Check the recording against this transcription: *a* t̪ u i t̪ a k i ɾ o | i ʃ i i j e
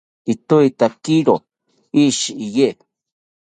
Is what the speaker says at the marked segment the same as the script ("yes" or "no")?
no